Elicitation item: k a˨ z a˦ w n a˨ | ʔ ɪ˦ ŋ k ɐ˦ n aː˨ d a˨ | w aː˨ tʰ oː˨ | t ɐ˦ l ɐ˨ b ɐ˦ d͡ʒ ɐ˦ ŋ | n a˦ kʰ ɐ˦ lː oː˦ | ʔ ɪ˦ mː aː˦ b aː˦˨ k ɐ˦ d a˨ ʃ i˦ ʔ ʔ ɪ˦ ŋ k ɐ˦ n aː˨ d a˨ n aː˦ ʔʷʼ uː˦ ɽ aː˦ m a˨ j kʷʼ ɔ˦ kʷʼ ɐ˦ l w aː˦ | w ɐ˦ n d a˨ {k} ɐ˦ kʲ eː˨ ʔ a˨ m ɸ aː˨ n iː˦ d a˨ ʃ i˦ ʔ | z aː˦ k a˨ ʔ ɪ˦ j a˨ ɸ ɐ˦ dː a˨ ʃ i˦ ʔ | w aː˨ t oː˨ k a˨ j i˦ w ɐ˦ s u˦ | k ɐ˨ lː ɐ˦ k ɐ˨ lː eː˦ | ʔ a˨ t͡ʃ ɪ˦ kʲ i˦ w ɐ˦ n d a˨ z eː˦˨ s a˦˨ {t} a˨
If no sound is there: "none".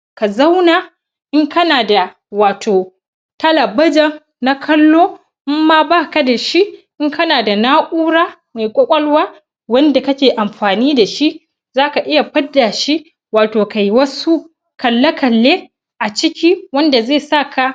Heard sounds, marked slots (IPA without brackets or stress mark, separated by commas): k, k